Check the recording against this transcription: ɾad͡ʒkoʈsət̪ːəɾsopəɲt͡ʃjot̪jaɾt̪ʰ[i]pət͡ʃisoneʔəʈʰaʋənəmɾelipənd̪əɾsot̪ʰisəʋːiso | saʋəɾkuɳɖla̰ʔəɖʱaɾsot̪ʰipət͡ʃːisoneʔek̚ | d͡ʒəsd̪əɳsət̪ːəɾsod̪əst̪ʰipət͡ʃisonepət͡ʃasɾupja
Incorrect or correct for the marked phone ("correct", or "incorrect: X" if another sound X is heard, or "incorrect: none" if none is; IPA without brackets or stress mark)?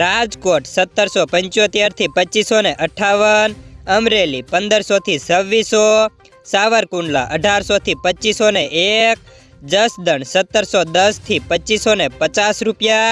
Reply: correct